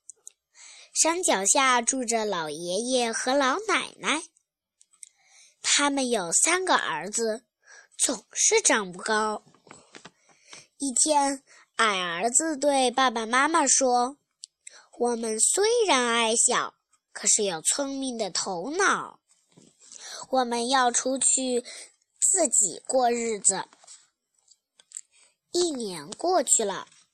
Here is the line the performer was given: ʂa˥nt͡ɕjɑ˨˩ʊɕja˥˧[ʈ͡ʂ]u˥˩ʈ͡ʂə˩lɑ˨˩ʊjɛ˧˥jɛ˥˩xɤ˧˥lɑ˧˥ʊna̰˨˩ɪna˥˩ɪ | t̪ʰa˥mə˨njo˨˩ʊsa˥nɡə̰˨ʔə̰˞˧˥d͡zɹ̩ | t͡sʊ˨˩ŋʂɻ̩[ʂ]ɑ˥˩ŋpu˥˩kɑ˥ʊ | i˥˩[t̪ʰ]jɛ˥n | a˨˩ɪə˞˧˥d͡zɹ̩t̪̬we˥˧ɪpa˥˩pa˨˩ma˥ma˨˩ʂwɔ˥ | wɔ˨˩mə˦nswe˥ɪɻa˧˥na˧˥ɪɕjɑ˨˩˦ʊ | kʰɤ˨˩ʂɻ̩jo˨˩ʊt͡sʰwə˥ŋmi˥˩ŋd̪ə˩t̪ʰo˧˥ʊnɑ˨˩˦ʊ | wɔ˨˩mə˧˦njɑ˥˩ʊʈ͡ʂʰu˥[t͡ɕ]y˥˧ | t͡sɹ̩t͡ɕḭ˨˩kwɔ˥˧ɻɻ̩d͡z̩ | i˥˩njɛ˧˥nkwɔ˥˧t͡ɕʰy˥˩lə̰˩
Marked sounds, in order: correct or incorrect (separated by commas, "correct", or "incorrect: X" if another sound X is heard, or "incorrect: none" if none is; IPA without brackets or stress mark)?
correct, incorrect: ʈ͡ʂ, correct, incorrect: t͡ɕʰ